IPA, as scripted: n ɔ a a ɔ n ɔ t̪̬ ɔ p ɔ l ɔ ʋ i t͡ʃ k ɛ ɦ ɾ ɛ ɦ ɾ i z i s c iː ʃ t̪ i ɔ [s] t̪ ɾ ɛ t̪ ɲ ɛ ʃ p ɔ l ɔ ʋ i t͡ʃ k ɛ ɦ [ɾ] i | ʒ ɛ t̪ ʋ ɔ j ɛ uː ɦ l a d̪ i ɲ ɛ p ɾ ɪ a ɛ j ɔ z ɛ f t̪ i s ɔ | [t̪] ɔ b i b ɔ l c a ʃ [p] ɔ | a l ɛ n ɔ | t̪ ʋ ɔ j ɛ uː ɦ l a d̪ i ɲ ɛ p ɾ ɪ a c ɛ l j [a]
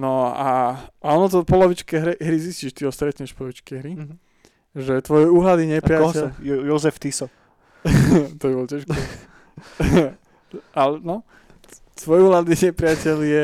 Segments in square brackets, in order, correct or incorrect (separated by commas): correct, correct, correct, incorrect, incorrect